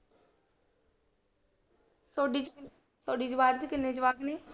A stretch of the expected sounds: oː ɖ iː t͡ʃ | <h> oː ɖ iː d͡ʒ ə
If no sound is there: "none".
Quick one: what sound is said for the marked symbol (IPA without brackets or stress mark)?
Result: s